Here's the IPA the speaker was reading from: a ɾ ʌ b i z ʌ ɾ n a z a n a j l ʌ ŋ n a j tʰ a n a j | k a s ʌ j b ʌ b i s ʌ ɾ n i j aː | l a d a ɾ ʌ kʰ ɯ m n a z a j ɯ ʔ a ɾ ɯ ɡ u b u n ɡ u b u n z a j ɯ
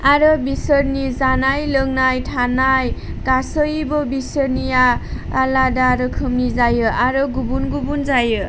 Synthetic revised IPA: a ɾ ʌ b i s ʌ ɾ n i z a n a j l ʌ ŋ n a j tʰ a n a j | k a s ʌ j b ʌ b i s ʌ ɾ n i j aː | l a d a ɾ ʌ kʰ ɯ m n i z a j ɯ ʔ a ɾ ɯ ɡ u b u n ɡ u b u n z a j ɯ